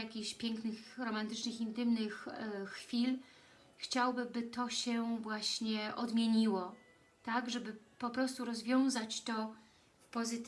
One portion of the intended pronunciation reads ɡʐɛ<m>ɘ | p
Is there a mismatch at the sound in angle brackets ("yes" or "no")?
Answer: yes